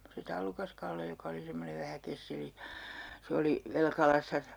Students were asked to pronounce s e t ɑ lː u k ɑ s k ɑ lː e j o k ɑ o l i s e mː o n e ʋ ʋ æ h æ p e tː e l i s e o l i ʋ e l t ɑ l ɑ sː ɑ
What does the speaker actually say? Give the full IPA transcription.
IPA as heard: s e t ɑ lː u k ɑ s k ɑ lː e j o k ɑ o l i s e mː o n e ʋ ʋ æ h æ k e sː e l i s e o l i ʋ e l k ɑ l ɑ sː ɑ